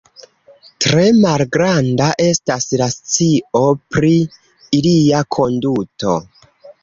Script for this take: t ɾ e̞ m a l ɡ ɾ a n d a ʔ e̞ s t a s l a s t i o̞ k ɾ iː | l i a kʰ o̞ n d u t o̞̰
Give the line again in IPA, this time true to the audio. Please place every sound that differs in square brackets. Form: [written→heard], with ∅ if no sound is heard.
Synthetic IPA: t ɾ e̞ m a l ɡ ɾ a n d a ʔ e̞ s t a s l a s [t→t͡s] i o̞ [k→p] ɾ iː | l i a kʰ o̞ n d u t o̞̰